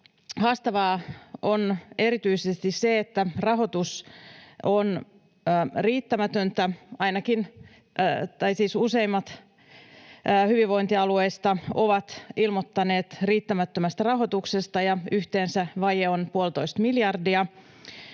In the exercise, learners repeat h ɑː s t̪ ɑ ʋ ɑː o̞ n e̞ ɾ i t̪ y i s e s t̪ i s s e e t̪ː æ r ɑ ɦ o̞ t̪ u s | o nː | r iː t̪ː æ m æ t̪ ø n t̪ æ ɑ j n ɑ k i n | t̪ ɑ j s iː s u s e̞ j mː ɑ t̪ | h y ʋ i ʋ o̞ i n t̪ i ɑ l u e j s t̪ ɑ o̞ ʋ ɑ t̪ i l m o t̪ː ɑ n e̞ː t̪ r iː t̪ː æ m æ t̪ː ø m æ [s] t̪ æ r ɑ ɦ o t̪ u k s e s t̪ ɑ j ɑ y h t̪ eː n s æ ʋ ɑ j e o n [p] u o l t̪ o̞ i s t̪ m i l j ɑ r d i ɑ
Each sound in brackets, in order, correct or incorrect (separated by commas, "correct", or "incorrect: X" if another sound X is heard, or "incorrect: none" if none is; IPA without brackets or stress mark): correct, correct